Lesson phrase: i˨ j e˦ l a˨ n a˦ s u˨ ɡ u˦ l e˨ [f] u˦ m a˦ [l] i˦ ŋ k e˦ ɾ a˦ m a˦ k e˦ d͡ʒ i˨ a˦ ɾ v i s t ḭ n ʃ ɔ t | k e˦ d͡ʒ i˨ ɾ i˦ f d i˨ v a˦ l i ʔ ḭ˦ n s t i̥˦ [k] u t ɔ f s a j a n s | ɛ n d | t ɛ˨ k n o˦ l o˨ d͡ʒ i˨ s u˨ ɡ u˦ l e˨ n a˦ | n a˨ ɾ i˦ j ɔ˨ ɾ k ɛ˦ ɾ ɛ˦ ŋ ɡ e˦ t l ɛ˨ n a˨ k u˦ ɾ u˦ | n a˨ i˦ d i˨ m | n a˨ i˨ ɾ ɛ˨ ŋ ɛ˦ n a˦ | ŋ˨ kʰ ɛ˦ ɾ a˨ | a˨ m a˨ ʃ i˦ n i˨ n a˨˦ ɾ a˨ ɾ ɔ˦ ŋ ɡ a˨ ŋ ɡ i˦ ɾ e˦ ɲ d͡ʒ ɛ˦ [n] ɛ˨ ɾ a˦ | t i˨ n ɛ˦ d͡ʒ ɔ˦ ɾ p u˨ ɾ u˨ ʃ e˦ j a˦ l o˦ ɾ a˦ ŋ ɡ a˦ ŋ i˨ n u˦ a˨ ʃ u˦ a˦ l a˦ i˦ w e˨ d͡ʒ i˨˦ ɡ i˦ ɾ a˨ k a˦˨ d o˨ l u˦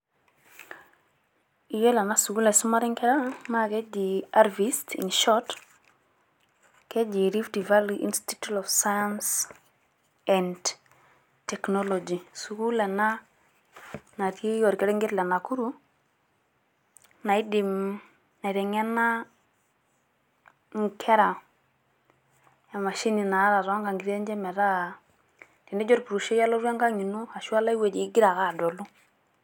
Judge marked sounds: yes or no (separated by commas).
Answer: no, no, no, no